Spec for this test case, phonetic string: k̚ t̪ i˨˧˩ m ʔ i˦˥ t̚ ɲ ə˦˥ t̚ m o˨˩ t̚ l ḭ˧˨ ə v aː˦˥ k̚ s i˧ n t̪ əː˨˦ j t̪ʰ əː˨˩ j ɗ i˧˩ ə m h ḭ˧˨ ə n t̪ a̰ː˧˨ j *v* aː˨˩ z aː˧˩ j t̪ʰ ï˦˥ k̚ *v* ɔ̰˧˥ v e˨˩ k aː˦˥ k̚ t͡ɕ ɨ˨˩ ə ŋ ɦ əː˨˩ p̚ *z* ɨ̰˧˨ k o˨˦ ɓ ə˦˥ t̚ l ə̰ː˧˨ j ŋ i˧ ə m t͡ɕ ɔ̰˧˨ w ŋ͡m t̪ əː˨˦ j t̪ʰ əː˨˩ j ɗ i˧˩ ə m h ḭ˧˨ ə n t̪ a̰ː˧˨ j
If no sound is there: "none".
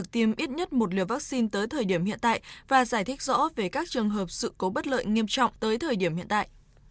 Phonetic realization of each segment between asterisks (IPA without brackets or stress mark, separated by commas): v, z, s